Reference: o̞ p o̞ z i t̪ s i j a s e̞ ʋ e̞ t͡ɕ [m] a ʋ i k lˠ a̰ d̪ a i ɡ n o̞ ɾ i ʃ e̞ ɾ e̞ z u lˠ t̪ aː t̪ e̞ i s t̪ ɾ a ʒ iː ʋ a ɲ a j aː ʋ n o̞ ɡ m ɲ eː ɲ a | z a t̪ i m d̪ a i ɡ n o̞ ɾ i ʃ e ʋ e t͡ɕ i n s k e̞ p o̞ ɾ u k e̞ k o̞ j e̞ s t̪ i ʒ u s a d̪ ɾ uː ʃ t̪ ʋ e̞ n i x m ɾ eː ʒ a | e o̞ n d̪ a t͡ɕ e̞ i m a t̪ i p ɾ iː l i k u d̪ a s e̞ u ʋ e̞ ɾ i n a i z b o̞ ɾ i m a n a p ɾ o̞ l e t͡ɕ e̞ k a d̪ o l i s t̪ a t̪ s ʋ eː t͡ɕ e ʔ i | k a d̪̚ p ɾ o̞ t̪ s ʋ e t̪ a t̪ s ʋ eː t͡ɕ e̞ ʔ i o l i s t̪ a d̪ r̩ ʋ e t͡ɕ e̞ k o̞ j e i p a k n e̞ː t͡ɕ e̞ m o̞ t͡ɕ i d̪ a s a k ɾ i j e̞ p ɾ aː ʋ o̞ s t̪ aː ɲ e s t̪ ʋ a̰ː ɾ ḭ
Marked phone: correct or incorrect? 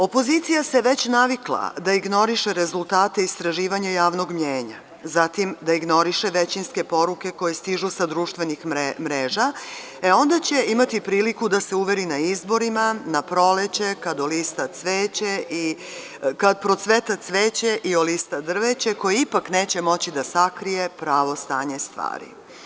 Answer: incorrect